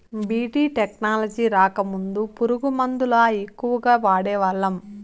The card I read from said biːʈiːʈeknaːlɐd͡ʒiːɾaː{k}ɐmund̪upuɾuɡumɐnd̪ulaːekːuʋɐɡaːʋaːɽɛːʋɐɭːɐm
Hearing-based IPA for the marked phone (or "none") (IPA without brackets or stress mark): k